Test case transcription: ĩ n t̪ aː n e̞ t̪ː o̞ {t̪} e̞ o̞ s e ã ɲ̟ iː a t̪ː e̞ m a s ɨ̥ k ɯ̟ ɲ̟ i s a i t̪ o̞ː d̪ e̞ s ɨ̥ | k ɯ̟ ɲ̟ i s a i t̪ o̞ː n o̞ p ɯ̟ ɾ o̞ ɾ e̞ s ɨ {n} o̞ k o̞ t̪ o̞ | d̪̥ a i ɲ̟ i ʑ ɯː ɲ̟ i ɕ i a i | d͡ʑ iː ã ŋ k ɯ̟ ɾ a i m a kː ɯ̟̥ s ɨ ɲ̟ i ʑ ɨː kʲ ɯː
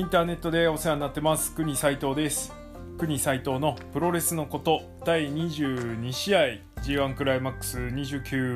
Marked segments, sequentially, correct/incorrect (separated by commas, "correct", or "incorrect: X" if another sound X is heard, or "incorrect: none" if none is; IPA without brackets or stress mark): incorrect: d̪, correct